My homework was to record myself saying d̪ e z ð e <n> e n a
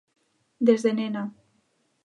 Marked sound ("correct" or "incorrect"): correct